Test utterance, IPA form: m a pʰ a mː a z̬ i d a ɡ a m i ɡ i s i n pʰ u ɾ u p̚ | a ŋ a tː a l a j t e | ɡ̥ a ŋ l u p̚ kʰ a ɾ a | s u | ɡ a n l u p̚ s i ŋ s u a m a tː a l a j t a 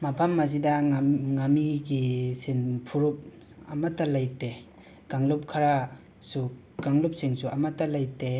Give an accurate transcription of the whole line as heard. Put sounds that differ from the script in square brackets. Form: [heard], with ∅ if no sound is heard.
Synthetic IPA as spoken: m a pʰ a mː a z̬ i d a [ŋ] a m i ɡ i s i n pʰ u ɾ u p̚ | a [m] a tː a l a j t e | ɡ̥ a ŋ l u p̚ kʰ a ɾ a | s u | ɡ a [ŋ] l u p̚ s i ŋ s u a m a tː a l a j t [e]